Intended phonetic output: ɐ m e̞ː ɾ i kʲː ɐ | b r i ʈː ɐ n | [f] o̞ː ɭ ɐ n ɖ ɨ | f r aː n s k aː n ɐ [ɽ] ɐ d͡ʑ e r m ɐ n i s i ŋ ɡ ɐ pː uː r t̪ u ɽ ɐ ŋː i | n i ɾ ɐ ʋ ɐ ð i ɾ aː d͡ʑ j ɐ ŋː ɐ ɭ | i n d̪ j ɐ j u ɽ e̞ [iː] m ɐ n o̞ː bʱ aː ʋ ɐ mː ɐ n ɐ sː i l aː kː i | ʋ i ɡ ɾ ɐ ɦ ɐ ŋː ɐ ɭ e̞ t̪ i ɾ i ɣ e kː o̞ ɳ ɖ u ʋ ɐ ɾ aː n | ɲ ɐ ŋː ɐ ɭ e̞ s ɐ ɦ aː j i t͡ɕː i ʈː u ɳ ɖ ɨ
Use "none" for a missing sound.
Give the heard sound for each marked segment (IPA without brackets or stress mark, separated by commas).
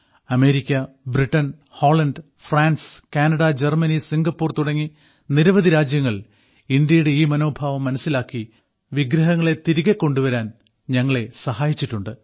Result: h, ɽ, iː